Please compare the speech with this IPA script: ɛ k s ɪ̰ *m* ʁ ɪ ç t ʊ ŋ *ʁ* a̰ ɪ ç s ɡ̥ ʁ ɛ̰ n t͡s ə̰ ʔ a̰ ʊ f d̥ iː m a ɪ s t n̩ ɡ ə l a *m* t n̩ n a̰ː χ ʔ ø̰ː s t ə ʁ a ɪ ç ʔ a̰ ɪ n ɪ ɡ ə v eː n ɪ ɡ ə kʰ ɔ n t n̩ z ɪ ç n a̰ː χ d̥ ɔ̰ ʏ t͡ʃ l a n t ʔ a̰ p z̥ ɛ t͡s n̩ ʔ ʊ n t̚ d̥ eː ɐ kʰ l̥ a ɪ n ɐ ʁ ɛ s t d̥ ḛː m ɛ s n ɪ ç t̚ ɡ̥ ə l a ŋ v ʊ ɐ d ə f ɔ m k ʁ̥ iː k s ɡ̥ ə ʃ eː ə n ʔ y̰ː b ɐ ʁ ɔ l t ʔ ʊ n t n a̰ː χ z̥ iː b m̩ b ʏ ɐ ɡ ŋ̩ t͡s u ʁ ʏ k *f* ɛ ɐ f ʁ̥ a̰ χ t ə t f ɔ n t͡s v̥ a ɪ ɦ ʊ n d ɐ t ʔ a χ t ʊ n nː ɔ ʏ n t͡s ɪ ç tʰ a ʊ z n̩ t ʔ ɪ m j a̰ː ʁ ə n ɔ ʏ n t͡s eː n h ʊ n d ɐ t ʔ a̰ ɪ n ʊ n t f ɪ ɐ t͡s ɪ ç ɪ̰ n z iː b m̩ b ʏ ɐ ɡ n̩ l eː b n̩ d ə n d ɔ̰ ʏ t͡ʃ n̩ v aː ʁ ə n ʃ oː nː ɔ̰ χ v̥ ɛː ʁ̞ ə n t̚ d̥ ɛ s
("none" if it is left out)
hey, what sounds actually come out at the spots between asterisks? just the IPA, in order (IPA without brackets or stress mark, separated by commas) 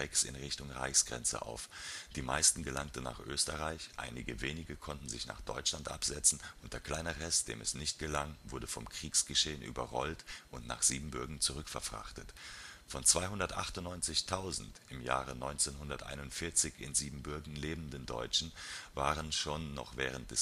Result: n, ʁ, ŋ, f